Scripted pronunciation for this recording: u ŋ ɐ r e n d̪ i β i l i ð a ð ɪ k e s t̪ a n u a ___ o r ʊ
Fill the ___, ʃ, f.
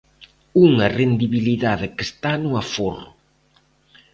f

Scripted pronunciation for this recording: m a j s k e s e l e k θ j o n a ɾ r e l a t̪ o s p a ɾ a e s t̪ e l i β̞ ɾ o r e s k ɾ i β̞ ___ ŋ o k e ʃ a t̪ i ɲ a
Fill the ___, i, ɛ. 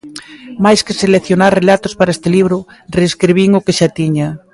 i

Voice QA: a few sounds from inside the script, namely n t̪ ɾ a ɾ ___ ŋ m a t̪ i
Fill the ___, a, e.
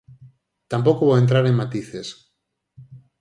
e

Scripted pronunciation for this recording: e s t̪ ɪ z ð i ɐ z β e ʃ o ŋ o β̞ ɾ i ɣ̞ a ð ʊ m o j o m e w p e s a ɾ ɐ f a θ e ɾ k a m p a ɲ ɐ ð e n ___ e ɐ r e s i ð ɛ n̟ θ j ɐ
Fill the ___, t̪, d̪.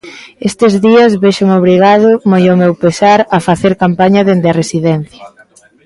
d̪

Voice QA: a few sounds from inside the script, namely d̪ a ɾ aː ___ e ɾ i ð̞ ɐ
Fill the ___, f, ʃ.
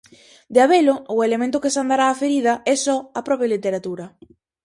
f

